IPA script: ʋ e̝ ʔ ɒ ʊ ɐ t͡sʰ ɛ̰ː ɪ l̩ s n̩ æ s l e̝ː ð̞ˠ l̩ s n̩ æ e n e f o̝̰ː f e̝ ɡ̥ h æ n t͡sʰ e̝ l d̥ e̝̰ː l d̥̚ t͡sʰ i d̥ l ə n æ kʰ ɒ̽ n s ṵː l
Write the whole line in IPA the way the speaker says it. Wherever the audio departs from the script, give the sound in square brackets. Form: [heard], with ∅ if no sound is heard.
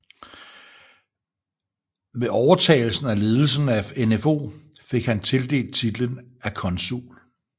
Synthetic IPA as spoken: ʋ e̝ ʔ ɒ ʊ ɐ t͡sʰ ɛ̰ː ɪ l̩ s n̩ æ [∅] l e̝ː ð̞ˠ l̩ s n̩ æ e n e f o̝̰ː f e̝ ɡ̥ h æ n t͡sʰ e̝ l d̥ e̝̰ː l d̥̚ t͡sʰ i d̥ l ə n æ kʰ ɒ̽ n s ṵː l